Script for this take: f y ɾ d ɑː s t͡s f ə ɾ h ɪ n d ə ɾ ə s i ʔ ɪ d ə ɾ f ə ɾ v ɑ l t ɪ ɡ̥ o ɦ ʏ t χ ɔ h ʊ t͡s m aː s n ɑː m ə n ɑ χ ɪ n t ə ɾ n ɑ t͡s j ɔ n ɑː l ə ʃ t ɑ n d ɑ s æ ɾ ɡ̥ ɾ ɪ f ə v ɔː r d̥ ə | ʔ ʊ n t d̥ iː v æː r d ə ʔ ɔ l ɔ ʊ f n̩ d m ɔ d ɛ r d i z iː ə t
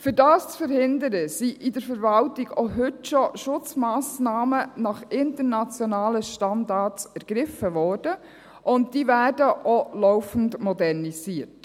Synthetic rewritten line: f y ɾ d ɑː s t͡s f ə ɾ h ɪ n d ə ɾ ə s i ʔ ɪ d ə ɾ f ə ɾ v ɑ l t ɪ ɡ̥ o ɦ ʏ t ʃ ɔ ʃ ʊ t͡s m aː s n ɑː m ə n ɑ χ ɪ n t ə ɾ n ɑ t͡s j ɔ n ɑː l ə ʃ t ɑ n d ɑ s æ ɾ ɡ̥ ɾ ɪ f ə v ɔː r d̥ ə | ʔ ʊ n t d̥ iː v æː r d ə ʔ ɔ l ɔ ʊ f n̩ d m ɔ d ɛ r n i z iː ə t